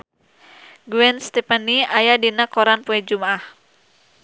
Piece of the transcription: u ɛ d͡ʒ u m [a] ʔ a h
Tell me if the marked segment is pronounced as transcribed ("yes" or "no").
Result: yes